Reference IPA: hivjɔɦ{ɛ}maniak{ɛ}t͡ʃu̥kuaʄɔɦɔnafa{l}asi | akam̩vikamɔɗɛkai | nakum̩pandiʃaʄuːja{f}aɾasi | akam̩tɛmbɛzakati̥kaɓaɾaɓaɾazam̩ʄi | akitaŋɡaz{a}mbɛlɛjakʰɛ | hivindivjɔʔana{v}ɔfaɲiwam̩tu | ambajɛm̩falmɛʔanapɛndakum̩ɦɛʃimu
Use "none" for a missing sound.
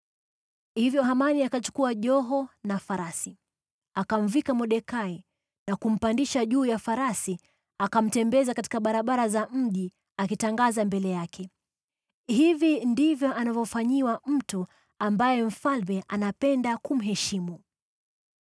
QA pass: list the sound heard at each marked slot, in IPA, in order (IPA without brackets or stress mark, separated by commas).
a, a, ɾ, f, a, v